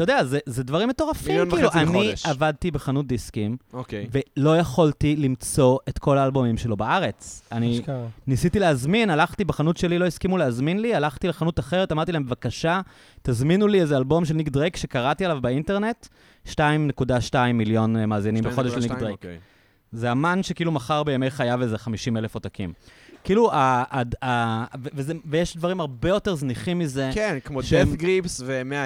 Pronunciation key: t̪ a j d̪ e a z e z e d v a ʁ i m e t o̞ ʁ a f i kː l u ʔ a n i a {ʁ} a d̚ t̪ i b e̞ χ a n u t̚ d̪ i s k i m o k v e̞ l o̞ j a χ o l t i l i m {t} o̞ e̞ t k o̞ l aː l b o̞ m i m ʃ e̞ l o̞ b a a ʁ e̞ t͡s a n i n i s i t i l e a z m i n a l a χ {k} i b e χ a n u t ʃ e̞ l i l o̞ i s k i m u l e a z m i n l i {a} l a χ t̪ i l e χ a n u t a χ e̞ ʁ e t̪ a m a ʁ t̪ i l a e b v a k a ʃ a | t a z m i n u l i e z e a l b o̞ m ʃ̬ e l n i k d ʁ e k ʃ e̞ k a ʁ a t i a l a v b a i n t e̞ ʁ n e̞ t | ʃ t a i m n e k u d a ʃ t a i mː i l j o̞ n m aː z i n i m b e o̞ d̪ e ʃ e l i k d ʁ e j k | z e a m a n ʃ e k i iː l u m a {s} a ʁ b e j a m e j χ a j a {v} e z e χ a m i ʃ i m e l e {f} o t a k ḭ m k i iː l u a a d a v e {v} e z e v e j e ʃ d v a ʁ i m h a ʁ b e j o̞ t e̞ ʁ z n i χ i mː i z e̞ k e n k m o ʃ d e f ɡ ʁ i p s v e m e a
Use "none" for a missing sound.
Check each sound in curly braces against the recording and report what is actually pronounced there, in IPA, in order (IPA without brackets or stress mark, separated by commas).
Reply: v, t͡s, t, a, χ, v, f, v